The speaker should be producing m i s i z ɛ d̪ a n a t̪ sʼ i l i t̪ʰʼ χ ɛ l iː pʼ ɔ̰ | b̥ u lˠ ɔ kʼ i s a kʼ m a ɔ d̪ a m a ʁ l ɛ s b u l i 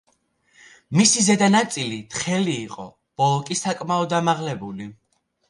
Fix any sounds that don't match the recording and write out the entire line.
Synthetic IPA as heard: m i s i z ɛ d̪ a n a t̪ sʼ i l i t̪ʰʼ χ ɛ l iː qʼ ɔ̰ | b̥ ɔ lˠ ɔ kʼ i s a kʼ m a ɔ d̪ a m a ʁ l ɛ b u l i